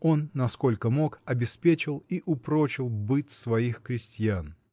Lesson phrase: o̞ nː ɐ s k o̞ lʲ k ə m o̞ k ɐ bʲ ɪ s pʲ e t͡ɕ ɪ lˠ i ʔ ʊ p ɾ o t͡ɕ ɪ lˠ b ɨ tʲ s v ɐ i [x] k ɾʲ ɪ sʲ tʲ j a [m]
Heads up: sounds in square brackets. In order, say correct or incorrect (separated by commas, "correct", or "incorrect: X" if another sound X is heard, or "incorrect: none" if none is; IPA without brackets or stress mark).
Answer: correct, incorrect: n